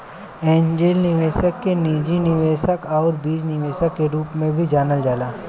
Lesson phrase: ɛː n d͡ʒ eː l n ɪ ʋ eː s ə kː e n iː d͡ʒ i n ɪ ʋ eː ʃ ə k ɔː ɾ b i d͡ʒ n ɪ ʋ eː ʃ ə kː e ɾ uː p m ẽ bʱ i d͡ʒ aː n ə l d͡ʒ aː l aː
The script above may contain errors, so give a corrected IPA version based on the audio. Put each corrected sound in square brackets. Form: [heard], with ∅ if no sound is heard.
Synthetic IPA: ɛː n d͡ʒ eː l n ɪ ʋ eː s ə kː e n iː d͡ʒ i n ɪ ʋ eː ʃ ə k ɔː ɾ b [iː] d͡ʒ n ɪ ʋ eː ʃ ə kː e ɾ uː p m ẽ bʱ i d͡ʒ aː n ə l d͡ʒ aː l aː